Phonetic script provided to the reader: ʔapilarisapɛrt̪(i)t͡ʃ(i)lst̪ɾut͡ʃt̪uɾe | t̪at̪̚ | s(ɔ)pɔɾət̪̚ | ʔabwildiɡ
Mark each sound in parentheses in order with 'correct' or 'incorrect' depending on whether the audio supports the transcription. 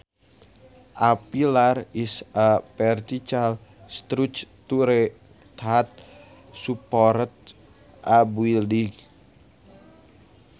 correct, incorrect: a, incorrect: u

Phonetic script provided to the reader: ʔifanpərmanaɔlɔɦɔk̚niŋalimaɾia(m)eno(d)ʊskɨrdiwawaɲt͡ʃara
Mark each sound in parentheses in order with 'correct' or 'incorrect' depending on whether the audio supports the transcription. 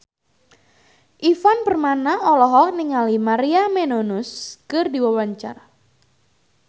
correct, incorrect: n

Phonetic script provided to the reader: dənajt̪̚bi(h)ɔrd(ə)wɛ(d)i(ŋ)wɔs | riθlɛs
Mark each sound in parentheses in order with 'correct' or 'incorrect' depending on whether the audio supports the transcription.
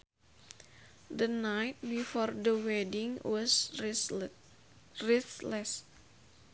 incorrect: f, correct, correct, correct

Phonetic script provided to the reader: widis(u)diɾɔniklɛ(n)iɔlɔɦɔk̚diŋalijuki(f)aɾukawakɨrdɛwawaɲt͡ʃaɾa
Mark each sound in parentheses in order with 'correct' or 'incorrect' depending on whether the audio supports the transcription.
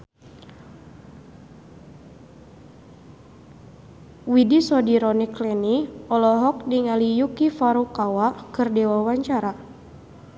incorrect: ɔ, correct, correct

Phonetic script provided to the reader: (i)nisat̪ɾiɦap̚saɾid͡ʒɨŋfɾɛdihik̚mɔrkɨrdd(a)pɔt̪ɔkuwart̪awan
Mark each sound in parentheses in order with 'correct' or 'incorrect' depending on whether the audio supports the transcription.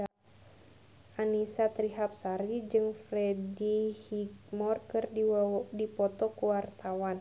incorrect: a, incorrect: i

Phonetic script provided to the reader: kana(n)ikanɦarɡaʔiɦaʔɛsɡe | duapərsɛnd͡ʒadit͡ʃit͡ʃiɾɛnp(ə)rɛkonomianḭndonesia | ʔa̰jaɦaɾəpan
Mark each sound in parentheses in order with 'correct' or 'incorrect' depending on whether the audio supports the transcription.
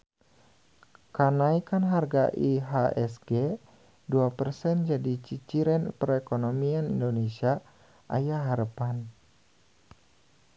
incorrect: none, correct

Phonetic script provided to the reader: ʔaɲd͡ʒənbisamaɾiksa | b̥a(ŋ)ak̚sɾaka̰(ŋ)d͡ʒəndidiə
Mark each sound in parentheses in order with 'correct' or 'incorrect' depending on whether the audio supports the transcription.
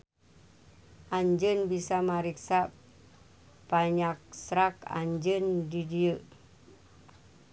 incorrect: ɲ, incorrect: ɲ

